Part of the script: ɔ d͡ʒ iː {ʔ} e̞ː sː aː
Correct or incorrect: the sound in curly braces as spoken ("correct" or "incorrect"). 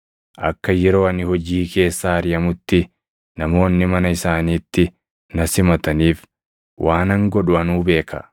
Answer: incorrect